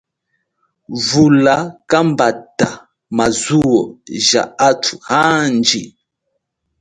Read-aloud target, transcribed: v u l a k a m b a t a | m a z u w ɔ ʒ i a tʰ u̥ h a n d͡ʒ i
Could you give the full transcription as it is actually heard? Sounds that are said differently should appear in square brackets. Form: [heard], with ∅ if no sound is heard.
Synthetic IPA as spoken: v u l a k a m b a t a | m a z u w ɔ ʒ [a] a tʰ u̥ h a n d͡ʒ i